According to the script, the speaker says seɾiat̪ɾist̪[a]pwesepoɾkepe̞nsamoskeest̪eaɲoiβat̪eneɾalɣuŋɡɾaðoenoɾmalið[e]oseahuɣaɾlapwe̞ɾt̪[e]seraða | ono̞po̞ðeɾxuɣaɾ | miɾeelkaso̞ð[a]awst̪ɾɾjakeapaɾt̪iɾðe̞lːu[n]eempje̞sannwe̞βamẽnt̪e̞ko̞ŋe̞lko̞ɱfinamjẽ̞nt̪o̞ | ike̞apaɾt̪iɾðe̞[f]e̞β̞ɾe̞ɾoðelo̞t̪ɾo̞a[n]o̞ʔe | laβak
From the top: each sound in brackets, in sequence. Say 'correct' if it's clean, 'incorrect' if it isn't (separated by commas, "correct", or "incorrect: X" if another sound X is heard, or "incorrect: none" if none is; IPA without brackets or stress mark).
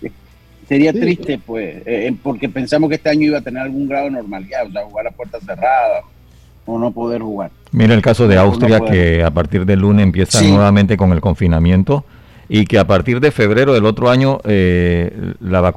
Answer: incorrect: e, incorrect: a, incorrect: a, incorrect: e, correct, correct, incorrect: ɲ